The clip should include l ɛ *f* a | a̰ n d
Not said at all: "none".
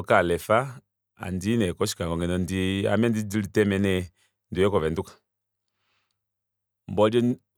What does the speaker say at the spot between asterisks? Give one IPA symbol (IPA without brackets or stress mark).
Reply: f